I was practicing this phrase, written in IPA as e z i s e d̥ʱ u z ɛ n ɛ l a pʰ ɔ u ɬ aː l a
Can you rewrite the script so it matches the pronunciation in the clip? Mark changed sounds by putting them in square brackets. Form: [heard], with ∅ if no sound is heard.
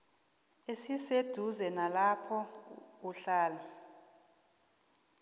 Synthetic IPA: e [s] i s e d̥ʱ u z ɛ n [a] l a pʰ ɔ u ɬ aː l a